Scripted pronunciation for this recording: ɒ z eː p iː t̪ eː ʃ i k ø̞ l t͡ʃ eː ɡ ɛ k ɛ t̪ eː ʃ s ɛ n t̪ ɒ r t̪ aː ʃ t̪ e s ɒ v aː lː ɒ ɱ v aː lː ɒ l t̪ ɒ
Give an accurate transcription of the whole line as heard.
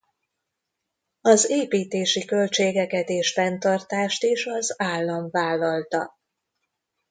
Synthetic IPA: ɒ z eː p iː t̪ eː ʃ i k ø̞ l t͡ʃ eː ɡ ɛ k ɛ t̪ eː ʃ f ɛ n t̪ ɒ r t̪ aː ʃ t̪ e ʃ ɒ z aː lː ɒ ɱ v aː lː ɒ l t̪ ɒ